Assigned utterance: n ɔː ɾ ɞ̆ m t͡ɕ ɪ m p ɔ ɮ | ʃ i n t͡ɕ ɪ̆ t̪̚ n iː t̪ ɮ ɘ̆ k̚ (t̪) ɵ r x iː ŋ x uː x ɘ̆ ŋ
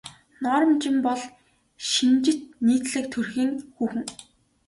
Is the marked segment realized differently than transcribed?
yes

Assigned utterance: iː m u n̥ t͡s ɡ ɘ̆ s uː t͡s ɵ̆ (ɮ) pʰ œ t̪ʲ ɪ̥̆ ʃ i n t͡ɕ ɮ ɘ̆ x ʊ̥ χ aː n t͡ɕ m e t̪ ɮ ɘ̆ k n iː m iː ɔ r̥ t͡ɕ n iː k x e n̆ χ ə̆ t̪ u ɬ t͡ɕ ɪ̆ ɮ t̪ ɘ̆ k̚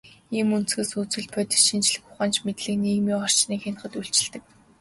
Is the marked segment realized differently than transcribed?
no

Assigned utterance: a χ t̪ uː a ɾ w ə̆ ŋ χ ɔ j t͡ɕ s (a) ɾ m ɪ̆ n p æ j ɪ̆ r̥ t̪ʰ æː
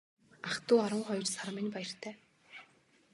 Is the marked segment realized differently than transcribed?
no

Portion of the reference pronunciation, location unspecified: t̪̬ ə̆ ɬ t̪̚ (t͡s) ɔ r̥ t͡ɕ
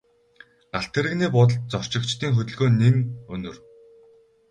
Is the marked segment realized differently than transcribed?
no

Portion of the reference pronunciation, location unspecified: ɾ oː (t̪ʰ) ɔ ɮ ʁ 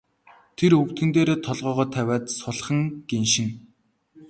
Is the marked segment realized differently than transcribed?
no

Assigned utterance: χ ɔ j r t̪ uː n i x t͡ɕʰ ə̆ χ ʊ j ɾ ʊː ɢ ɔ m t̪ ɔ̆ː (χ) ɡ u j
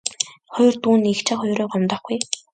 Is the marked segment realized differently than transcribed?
no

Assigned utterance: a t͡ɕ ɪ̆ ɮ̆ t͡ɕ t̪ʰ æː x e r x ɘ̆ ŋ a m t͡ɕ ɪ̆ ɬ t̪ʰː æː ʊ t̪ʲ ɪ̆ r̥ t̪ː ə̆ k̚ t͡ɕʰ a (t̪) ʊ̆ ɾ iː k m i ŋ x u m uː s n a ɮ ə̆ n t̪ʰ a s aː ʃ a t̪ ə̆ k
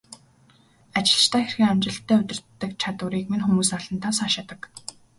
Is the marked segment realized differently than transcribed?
no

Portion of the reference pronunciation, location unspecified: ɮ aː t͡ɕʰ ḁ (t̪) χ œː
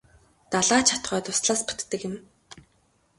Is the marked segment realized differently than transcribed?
no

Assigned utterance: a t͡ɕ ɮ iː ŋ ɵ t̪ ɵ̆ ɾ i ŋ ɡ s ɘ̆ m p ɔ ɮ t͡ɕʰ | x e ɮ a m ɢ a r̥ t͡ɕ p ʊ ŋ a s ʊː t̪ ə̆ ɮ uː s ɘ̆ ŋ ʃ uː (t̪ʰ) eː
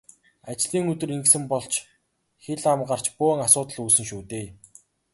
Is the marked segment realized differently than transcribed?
yes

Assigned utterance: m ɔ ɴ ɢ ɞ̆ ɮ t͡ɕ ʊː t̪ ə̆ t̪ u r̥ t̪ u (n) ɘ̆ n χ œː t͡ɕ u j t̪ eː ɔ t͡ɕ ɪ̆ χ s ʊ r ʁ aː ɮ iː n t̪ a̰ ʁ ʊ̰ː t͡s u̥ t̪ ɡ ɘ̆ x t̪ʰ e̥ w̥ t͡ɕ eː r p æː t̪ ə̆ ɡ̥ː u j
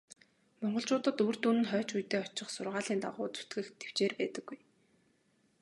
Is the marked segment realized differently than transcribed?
no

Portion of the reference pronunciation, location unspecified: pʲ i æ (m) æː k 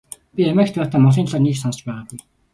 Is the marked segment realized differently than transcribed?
no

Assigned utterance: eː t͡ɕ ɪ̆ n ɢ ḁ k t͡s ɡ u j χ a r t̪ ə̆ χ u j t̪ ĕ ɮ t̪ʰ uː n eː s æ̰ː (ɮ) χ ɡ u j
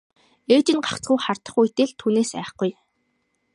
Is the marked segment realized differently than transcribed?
yes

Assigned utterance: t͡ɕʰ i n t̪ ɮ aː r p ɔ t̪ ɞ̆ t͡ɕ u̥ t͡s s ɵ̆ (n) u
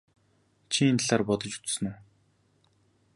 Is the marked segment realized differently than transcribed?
no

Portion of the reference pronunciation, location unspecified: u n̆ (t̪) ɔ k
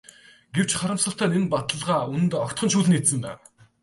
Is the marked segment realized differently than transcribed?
no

